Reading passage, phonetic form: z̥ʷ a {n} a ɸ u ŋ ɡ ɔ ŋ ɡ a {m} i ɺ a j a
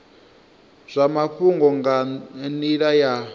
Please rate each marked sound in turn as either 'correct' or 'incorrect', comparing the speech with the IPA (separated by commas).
incorrect, incorrect